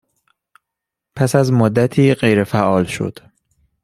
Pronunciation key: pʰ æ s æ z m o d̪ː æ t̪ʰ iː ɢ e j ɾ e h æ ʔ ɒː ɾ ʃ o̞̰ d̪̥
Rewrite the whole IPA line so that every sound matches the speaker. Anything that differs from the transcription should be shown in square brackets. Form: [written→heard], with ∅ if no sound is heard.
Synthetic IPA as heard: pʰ æ s æ z m o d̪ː æ t̪ʰ iː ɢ e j ɾ e [h→f] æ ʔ ɒː [ɾ→l] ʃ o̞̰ d̪̥